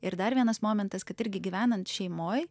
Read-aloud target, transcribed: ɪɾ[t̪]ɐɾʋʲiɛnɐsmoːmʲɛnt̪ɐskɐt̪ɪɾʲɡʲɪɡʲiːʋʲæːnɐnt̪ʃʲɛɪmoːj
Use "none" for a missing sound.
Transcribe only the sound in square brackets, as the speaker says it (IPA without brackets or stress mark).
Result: d̪